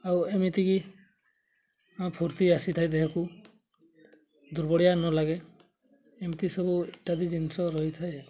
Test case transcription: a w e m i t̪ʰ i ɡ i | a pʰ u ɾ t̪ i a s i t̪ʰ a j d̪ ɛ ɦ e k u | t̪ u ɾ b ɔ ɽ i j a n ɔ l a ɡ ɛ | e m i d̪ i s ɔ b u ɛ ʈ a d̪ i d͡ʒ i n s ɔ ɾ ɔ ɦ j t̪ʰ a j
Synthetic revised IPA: a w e m i t̪ i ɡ i | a pʰ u ɾ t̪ i a s i t̪ʰ a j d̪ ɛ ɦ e k u | d̪ u ɾ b ɔ ɽ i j a n ɔ l a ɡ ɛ | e m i t̪ i s ɔ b u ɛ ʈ a d̪ i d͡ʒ i n s ɔ ɾ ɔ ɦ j t̪ʰ a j